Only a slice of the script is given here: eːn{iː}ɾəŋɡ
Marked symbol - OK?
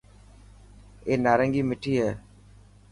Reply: no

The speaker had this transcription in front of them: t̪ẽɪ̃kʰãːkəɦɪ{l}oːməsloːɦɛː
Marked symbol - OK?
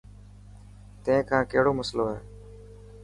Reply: no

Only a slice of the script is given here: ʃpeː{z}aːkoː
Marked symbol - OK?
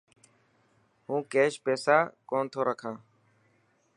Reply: no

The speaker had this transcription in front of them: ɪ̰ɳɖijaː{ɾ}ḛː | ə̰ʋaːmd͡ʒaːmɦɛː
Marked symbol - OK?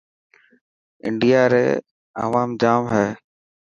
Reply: yes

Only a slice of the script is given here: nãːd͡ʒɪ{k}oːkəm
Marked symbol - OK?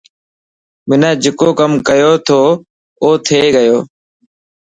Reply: yes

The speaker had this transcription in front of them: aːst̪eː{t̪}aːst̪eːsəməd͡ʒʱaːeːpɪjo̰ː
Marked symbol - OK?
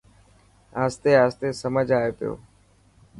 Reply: no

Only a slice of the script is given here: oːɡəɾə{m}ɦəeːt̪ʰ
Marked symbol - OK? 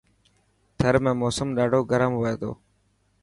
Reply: yes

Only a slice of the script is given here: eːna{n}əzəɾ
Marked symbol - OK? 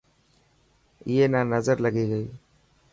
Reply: yes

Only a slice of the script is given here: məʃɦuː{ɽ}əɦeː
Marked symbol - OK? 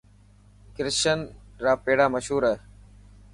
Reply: no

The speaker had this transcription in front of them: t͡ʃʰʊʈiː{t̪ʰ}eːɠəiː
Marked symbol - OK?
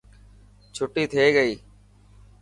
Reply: yes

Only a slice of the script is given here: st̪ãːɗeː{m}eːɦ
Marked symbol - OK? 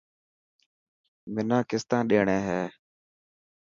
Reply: no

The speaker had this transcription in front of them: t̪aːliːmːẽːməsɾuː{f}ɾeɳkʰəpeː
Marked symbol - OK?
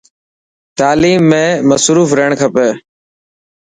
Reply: yes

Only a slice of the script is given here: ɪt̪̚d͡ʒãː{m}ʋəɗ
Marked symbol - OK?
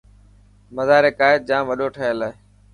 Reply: yes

